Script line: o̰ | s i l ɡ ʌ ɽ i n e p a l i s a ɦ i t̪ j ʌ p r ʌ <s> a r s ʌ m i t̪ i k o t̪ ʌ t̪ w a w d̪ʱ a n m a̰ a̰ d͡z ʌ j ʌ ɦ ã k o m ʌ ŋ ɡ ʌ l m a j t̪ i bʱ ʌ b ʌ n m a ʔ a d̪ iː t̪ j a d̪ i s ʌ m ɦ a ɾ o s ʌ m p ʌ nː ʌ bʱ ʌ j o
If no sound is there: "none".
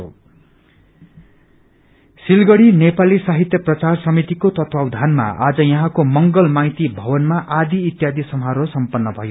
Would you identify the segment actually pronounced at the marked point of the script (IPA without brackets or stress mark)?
t͡s